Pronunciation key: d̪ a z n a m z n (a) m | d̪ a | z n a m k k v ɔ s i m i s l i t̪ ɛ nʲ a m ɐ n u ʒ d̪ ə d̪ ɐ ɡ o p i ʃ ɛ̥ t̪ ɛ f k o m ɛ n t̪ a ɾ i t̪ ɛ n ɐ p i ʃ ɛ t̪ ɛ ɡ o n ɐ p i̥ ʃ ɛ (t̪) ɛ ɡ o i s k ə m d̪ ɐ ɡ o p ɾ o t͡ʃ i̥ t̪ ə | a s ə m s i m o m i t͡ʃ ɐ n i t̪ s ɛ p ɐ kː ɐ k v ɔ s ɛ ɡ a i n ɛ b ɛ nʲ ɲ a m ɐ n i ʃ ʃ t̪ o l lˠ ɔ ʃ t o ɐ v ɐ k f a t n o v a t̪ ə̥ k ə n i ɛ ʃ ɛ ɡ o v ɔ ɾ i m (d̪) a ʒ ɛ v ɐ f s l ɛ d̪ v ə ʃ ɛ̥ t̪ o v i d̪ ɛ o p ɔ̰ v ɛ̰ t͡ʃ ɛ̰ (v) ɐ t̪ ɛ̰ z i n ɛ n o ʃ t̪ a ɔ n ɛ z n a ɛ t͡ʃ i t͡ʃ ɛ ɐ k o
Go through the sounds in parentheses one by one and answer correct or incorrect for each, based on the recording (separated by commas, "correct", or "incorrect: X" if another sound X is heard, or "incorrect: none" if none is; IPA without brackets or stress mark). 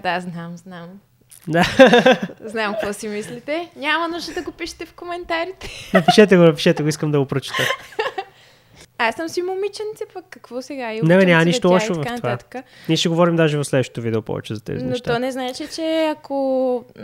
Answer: correct, correct, correct, incorrect: z